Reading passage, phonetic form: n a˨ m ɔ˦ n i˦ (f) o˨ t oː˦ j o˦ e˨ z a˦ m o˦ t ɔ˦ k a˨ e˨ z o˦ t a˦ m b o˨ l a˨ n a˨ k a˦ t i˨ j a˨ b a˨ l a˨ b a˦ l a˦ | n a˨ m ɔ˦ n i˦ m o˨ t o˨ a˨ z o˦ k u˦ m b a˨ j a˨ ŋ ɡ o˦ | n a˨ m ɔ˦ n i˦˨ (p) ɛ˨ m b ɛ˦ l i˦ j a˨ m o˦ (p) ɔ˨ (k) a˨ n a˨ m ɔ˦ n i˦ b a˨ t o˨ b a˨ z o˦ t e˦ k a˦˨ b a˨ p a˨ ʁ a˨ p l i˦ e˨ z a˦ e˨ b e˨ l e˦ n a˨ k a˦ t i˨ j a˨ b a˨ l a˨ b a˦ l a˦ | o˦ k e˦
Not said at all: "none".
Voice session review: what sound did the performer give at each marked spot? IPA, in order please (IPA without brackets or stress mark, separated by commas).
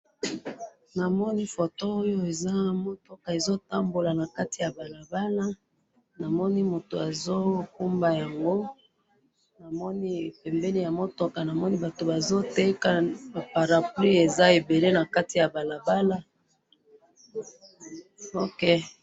f, p, t, k